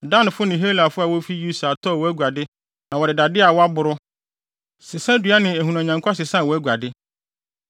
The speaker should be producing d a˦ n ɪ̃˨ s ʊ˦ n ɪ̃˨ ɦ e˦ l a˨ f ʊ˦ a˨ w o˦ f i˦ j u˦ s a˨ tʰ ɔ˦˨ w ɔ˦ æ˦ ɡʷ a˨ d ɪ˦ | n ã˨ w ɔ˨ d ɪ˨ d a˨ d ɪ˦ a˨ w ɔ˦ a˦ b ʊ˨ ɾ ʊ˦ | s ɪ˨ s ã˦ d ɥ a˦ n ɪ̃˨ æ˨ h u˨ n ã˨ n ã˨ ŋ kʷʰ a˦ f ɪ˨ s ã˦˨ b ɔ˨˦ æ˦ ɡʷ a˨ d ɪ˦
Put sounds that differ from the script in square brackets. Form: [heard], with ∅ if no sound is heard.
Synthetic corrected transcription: d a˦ n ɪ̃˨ [f] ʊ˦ n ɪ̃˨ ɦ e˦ l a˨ f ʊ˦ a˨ w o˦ f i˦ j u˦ s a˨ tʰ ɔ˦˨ w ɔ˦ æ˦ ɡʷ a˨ d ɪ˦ | n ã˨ w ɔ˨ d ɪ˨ d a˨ d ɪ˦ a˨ w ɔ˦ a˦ b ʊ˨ ɾ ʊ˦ | s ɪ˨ s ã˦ d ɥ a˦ n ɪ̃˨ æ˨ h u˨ n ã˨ [ɲ] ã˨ ŋ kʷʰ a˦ [s] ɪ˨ s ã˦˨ [w] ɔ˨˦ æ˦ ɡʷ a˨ d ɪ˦

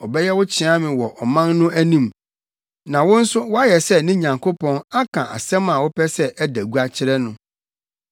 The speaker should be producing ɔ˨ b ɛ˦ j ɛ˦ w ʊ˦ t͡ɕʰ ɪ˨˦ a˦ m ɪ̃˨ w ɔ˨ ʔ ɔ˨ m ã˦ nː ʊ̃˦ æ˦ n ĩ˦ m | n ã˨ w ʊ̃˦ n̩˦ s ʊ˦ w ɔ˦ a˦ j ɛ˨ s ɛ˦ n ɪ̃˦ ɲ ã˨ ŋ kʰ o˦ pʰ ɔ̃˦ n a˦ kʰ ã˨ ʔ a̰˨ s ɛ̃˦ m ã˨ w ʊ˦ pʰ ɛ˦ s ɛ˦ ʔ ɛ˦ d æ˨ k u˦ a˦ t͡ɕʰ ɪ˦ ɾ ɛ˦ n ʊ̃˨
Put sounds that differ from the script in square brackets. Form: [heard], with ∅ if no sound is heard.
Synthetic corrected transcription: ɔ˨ b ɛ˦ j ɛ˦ w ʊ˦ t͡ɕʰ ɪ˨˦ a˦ m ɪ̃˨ w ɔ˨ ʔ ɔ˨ m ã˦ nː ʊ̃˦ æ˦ n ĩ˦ m | n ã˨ w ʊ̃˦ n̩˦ s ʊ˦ w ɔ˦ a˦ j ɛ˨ s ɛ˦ n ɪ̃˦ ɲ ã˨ ŋ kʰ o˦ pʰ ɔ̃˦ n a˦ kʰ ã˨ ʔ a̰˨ s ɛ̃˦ m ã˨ w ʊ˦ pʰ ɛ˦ s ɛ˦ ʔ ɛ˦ d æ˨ [ɡ] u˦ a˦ t͡ɕʰ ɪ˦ ɾ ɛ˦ n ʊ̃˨

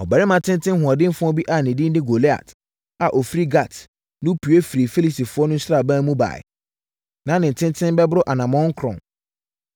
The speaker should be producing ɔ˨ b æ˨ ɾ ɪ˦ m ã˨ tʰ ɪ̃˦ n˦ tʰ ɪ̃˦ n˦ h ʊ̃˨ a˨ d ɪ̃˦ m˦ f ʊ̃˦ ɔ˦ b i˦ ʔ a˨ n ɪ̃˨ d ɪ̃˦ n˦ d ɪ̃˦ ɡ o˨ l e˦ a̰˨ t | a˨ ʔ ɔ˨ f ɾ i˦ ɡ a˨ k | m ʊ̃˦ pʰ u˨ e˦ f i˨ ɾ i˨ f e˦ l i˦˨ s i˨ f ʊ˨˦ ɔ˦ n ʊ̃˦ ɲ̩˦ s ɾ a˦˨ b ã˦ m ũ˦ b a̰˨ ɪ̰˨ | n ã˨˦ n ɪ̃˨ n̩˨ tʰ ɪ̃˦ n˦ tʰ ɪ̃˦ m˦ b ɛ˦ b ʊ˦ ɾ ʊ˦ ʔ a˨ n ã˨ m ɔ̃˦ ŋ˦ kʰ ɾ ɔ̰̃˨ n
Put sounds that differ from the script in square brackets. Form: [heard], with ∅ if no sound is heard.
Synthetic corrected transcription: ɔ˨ b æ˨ ɾ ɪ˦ m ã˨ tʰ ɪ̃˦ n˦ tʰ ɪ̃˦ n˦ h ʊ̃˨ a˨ d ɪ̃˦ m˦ f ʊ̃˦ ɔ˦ b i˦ ʔ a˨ n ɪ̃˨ d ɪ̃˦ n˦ d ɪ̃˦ ɡ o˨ l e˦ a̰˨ t | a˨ ʔ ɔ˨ f ɾ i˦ ɡ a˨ [t] | [n] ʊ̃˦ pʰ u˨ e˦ f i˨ ɾ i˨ f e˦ l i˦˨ s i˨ f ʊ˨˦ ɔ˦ n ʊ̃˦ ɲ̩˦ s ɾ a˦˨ b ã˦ m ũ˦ b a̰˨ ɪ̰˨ | n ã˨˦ n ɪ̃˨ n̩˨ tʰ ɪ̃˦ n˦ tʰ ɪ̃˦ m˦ b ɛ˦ b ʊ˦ ɾ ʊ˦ ʔ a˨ n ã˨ m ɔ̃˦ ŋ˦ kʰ ɾ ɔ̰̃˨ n

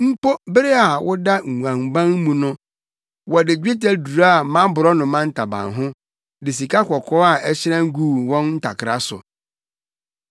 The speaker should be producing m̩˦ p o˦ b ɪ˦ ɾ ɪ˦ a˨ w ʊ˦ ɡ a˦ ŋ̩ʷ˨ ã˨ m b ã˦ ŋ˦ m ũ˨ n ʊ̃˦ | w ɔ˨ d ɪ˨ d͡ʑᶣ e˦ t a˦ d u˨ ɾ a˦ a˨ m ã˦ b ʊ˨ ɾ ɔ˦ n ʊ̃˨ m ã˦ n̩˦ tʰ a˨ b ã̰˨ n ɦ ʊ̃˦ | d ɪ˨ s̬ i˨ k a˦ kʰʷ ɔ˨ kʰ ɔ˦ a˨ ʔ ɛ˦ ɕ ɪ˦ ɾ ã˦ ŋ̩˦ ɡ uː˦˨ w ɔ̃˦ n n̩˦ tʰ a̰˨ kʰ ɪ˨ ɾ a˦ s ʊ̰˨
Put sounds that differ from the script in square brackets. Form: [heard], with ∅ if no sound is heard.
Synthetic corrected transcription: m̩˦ p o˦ b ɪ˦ ɾ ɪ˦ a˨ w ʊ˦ [d] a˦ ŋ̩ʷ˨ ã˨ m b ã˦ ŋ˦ m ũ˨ n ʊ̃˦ | w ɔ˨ d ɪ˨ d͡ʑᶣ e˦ t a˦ d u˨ ɾ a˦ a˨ m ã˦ b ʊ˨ ɾ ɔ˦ n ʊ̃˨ m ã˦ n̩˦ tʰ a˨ b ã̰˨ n ɦ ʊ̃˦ | d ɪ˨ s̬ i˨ k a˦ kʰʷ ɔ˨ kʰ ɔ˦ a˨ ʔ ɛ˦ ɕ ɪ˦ ɾ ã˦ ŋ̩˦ ɡ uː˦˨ w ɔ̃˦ n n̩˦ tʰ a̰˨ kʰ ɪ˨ ɾ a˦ s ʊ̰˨

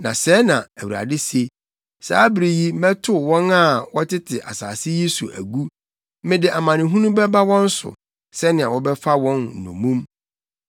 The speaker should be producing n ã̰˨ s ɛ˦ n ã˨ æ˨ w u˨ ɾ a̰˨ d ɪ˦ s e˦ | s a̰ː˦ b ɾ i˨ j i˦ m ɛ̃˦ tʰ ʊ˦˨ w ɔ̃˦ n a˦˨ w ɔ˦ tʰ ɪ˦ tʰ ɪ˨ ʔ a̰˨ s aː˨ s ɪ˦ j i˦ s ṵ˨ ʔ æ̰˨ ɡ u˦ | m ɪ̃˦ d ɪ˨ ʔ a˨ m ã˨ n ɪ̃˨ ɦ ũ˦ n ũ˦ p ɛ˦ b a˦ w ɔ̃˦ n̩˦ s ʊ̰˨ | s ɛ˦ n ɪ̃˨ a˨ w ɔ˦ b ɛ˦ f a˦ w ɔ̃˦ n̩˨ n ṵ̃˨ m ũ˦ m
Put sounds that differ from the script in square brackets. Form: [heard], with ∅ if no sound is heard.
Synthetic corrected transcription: n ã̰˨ s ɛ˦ n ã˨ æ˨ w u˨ ɾ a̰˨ d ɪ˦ s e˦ | s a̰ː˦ b ɾ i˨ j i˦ m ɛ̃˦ tʰ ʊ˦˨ w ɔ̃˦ n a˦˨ w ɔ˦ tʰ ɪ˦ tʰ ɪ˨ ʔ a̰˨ s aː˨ s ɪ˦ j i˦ s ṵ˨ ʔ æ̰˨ ɡ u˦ | m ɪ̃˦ d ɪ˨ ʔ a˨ m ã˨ n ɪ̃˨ ɦ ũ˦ n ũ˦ [b] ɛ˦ b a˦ w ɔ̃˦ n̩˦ s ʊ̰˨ | s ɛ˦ n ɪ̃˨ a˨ w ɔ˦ b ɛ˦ f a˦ w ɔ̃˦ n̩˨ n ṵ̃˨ m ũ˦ m

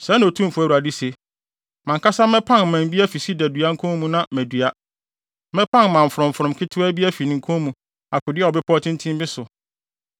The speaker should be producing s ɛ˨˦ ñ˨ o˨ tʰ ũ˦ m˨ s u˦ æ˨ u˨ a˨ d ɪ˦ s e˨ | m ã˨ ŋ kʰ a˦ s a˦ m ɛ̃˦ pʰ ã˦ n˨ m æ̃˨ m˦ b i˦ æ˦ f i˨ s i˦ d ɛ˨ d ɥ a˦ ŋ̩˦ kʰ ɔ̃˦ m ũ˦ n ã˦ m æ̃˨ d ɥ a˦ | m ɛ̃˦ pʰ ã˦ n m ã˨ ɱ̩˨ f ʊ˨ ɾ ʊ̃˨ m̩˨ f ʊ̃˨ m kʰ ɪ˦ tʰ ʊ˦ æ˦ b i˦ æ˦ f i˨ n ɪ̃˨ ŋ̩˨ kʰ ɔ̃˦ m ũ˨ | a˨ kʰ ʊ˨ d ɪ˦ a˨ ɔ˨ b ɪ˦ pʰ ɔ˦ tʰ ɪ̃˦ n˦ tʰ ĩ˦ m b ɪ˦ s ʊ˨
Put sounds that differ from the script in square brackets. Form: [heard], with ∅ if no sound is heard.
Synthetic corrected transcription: s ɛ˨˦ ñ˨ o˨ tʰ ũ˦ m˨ [f] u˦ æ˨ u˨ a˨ d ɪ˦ s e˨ | m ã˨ ŋ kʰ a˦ s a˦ m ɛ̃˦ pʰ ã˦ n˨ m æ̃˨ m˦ b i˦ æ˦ f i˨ s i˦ d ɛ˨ d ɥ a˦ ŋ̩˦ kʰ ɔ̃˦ m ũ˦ n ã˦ m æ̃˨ d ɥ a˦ | m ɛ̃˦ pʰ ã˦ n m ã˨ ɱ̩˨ f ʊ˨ ɾ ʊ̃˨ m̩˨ f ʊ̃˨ m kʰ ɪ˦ tʰ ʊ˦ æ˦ b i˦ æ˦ f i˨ n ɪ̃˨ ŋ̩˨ kʰ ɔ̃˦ m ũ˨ | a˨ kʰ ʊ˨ d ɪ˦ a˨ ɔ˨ b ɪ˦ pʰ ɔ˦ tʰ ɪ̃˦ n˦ tʰ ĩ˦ m b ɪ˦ s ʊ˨

